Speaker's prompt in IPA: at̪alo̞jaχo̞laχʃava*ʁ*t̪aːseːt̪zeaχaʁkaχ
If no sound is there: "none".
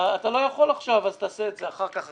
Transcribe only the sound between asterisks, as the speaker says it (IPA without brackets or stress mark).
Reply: z